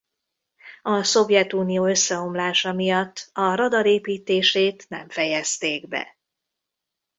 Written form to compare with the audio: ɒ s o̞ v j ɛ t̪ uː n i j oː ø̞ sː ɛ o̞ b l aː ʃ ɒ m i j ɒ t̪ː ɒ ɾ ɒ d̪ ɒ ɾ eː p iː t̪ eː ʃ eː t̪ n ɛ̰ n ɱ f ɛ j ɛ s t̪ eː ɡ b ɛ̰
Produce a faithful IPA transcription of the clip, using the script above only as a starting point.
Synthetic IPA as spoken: ɒ s o̞ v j ɛ t̪ uː n i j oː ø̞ sː ɛ o̞ m l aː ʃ ɒ m i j ɒ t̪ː ɒ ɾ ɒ d̪ ɒ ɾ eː p iː t̪ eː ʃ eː t̪ n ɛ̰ ɱ f ɛ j ɛ s t̪ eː ɡ b ɛ̰

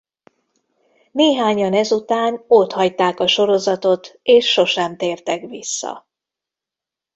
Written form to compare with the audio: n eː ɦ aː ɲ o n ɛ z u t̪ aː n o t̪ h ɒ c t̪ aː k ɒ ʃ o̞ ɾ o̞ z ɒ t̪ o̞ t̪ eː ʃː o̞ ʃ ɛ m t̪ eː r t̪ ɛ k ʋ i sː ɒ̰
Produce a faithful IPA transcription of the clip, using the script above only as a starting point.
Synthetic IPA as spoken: n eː ɦ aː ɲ ɒ n ɛ z u t̪ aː n o t̪ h ɒ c t̪ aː k ɒ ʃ o̞ ɾ o̞ z ɒ t̪ o̞ t̪ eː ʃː o̞ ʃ ɛ m t̪ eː r t̪ ɛ k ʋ i sː ɒ̰

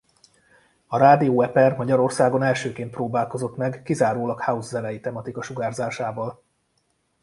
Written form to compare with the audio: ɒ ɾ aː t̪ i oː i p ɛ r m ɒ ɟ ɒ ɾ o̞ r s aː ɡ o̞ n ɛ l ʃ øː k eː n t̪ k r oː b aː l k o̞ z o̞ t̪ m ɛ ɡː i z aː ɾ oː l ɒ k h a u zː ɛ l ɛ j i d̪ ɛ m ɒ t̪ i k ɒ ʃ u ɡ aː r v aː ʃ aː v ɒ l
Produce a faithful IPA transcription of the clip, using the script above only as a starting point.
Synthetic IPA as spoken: ɒ ɾ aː d̪ i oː ɛ p ɛ r m ɒ ɟ ɒ ɾ o̞ r s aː ɡ o̞ n ɛ l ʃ øː k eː n t̪ p r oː b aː l k o̞ z o̞ t̪ m ɛ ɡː i z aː ɾ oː l ɒ k h a u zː ɛ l ɛ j i t̪ ɛ m ɒ t̪ i k ɒ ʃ u ɡ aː r z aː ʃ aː v ɒ l

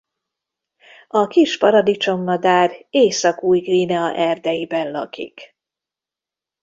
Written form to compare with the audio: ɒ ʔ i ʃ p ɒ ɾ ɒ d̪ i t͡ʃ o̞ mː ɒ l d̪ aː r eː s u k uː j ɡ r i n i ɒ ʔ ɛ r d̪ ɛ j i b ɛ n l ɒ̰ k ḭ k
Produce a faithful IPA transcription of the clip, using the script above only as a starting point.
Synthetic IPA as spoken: ɒ k i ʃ p ɒ ɾ ɒ d̪ i t͡ʃ o̞ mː ɒ d̪ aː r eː s ɒ k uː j ɡ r i n ɛ ɒ ʔ ɛ r d̪ ɛ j i b ɛ n l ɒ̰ k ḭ k

